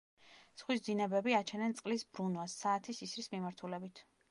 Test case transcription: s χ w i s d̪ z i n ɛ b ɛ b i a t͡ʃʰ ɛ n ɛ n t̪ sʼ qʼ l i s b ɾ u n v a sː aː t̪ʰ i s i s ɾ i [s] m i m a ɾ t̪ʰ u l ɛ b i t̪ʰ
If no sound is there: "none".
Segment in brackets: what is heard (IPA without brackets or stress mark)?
s